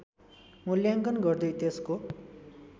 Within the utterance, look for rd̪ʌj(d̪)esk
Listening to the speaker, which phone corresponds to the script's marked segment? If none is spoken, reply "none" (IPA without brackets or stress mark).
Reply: t̪